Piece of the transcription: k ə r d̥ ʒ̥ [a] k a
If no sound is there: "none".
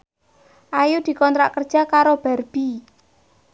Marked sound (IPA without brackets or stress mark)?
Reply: a